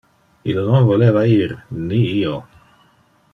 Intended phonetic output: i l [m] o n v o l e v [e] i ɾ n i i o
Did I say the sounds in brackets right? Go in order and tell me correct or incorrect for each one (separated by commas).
incorrect, incorrect